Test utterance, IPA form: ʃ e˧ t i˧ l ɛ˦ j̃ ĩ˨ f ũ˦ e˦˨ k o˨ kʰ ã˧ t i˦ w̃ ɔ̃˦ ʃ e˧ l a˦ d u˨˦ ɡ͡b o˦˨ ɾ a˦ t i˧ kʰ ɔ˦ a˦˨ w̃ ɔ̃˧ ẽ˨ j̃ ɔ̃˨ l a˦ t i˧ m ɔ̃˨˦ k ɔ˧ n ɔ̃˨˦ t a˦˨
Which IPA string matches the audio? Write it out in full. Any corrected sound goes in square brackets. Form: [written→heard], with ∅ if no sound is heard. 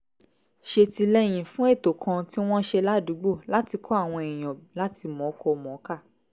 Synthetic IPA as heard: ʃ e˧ t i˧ l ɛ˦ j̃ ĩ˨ f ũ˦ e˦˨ [k→t] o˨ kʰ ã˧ t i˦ w̃ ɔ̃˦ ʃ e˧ l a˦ d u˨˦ ɡ͡b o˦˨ [ɾ→l] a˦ t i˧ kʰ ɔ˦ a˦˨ w̃ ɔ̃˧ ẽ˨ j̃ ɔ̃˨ l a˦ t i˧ m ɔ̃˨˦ k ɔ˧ [n→m] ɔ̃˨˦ [t→k] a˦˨